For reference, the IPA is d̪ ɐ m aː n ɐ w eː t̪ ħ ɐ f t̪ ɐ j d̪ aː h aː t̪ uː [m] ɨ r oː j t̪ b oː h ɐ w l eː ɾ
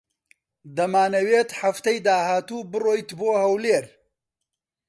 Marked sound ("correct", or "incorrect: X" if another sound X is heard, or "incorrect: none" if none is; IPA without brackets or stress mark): incorrect: b